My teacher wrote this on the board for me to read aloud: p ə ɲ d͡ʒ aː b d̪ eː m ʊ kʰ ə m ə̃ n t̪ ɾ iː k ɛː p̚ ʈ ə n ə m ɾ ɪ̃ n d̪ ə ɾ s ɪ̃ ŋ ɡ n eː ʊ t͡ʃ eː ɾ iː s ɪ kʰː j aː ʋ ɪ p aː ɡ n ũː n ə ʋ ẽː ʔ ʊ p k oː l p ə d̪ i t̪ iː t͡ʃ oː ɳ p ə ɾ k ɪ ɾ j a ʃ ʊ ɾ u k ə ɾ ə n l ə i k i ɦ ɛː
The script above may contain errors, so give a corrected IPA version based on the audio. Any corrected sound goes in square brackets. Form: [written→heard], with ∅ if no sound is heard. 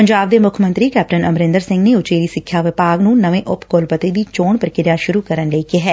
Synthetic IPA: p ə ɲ d͡ʒ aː b d̪ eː m ʊ kʰ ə m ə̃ n t̪ ɾ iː k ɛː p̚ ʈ ə n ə m ɾ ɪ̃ n d̪ ə ɾ s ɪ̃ ŋ ɡ n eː ʊ t͡ʃ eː ɾ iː s ɪ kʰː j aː ʋ ɪ p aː ɡ n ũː n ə ʋ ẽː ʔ ʊ p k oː l p ə [d̪→t̪] i [t̪→d̪] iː t͡ʃ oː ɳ p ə ɾ k ɪ ɾ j a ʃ ʊ ɾ u k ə ɾ ə n l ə i k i ɦ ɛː

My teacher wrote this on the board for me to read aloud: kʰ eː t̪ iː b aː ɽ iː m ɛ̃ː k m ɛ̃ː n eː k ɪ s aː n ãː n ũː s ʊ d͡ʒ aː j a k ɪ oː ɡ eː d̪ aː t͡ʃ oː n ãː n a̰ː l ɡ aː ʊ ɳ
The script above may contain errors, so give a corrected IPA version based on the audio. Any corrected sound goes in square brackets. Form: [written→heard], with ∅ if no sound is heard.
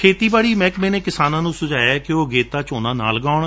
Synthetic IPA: kʰ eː t̪ iː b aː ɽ iː m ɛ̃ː k m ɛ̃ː n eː k ɪ s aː n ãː n ũː s ʊ d͡ʒ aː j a k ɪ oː ɡ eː [d̪→t̪] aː t͡ʃ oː n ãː n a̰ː l ɡ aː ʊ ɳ

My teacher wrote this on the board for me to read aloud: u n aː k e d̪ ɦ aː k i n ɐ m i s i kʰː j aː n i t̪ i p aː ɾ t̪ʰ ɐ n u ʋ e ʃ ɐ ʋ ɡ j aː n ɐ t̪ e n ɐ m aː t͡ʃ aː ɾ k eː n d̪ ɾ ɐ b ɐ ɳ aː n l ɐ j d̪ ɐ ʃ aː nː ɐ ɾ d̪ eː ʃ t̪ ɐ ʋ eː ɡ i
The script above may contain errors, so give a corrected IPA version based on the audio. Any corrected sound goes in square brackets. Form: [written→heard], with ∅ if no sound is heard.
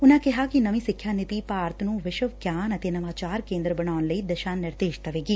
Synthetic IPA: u n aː k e [d̪→∅] ɦ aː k i n ɐ m i s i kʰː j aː n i t̪ i p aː ɾ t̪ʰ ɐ n u ʋ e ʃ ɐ ʋ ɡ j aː n ɐ t̪ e n ɐ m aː t͡ʃ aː ɾ k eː n d̪ ɾ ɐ b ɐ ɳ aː n l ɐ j d̪ ɐ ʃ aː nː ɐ ɾ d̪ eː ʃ t̪ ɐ ʋ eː ɡ i

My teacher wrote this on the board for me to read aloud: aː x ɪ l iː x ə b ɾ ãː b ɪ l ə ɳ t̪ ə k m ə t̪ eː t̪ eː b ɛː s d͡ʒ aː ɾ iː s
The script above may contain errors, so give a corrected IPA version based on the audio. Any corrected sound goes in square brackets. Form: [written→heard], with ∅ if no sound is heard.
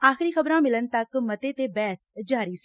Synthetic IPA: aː x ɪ [l→ɾ] iː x ə b ɾ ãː [b→m] ɪ l ə [ɳ→n] t̪ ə k m ə t̪ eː t̪ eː b ɛː s d͡ʒ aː ɾ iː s

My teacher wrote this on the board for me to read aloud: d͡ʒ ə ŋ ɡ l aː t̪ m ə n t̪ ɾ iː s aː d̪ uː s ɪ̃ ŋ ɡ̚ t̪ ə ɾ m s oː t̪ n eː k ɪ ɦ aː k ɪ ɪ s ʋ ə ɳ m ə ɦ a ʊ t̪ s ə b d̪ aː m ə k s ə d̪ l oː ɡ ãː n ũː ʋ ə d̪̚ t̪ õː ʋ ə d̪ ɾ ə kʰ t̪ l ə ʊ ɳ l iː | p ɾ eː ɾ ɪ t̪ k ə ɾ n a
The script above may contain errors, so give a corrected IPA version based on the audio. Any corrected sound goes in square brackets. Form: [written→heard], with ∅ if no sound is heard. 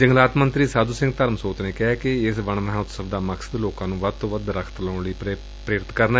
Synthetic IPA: d͡ʒ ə ŋ ɡ l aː t̪ m ə n t̪ ɾ iː s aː d̪ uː s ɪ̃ ŋ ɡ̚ t̪ ə ɾ m s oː t̪ n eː k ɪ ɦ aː k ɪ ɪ s ʋ ə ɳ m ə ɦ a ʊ t̪ s ə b d̪ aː m ə k s ə d̪ l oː [ɡ→k] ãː n ũː ʋ ə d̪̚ t̪ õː ʋ ə d̪ ɾ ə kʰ t̪ l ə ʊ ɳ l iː | p ɾ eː ɾ ɪ t̪ k ə ɾ n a

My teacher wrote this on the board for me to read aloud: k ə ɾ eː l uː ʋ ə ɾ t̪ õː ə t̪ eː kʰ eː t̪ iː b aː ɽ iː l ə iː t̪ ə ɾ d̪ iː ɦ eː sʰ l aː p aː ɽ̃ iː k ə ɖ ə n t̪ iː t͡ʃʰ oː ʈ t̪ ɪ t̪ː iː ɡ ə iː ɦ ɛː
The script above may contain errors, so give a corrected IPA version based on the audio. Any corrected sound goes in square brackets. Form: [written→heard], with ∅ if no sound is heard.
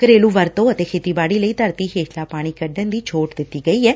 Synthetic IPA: k ə ɾ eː l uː ʋ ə ɾ t̪ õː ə t̪ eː kʰ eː t̪ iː b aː ɽ iː l ə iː t̪ ə ɾ [d̪→t̪] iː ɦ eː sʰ l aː p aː ɽ̃ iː k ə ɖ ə n [t̪→d̪] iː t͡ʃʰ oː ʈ [t̪→d̪] ɪ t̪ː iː ɡ ə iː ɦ ɛː

